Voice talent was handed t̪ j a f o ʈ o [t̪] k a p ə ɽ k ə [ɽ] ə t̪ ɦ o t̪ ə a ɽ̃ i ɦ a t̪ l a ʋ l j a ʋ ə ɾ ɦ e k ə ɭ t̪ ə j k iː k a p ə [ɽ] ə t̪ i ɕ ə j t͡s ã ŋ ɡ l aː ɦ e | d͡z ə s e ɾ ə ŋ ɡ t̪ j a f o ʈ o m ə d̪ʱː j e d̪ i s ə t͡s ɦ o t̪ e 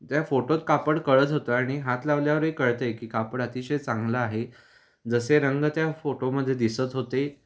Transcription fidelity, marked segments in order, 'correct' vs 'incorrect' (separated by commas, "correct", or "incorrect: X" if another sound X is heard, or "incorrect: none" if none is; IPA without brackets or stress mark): correct, incorrect: ɭ, correct